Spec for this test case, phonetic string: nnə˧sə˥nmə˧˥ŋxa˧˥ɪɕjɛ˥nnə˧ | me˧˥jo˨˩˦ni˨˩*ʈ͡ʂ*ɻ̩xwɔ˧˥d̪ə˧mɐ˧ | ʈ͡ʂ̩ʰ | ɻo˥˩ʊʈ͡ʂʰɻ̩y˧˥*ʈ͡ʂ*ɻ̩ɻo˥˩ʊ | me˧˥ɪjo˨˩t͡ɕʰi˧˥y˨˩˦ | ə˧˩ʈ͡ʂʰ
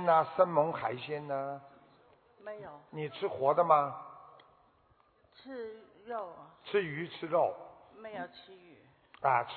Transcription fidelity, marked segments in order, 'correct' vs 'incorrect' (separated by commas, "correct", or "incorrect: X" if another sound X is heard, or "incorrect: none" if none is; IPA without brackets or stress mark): incorrect: ʈ͡ʂʰ, incorrect: ʈ͡ʂʰ